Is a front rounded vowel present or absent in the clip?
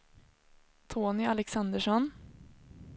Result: absent